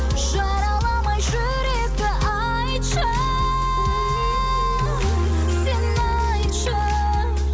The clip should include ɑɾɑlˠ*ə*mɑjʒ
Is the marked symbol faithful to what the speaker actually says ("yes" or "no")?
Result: no